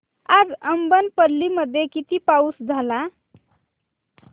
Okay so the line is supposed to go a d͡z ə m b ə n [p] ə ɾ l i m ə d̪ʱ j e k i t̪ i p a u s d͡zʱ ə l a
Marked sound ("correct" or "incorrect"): correct